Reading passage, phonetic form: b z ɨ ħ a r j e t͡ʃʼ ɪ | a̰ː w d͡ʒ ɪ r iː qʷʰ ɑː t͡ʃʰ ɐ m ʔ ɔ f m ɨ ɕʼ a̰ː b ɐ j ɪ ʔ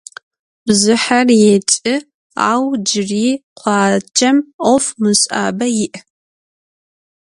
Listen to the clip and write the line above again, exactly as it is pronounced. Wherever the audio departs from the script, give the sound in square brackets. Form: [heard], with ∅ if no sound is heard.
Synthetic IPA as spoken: b z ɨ ħ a r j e t͡ʃʼ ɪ | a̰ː w d͡ʒ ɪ r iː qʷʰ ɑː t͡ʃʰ ɐ m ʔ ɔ f m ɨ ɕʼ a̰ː b ɐ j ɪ ʔ